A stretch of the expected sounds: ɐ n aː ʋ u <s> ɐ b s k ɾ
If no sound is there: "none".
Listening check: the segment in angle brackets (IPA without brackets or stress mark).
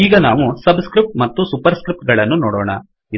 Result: s